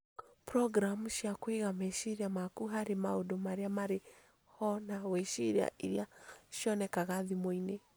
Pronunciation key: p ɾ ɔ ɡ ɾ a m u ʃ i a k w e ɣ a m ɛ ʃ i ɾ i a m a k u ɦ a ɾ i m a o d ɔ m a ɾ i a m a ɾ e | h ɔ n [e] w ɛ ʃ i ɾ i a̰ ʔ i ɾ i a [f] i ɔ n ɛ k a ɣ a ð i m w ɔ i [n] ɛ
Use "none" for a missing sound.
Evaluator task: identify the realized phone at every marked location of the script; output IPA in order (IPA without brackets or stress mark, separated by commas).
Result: a, ʃ, n